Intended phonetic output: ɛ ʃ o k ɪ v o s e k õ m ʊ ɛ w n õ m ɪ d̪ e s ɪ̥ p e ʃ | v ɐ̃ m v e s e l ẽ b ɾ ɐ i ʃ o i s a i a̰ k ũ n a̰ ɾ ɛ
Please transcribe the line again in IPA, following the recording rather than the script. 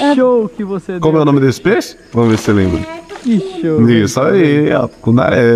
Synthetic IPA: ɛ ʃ o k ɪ v o s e k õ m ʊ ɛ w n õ m ɪ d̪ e s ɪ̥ p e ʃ | v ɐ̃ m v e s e l ẽ b ɾ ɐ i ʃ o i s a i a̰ k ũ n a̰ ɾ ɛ